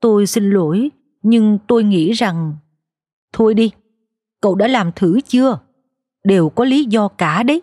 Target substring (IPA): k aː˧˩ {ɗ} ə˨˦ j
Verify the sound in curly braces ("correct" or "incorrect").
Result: correct